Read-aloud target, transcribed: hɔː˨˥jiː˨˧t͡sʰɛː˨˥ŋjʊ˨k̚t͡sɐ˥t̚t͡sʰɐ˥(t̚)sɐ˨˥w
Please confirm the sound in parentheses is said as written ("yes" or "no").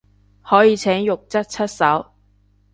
yes